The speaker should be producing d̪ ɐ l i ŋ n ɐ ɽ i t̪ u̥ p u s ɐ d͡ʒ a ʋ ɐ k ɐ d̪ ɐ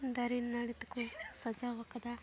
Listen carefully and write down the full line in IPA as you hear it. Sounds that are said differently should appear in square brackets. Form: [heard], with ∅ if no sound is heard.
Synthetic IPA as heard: d̪ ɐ [ɾ] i [n] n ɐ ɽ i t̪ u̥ [k] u s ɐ d͡ʒ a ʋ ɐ k ɐ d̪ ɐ